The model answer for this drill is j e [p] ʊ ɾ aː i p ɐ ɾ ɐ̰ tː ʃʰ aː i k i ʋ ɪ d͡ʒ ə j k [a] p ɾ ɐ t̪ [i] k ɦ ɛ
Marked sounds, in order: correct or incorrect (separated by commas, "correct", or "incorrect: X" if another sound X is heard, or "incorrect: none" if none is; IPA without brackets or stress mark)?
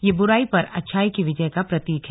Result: incorrect: b, correct, incorrect: iː